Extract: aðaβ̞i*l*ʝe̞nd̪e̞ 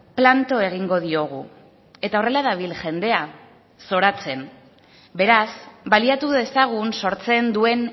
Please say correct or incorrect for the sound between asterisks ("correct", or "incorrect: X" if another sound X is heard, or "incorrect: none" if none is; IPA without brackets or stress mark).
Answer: correct